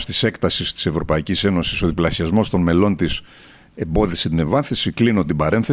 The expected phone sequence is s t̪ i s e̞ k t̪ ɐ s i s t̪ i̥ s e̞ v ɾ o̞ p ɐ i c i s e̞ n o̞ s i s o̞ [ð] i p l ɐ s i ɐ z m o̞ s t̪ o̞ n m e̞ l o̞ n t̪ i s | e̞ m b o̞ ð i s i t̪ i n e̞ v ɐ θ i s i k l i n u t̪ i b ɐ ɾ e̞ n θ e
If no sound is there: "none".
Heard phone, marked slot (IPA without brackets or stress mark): ð